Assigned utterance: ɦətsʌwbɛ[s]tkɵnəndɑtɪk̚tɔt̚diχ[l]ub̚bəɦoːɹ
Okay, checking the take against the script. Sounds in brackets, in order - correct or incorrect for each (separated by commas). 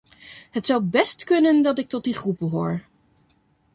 correct, incorrect